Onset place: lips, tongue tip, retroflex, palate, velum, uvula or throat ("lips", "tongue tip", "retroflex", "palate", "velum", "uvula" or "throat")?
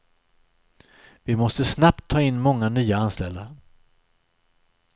lips